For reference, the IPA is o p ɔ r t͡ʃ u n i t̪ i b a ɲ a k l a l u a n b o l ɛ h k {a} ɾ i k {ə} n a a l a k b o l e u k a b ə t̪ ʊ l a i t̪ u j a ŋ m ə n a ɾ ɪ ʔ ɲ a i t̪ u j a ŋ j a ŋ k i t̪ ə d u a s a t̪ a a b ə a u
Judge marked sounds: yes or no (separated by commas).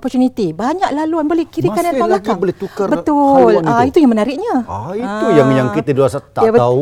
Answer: no, no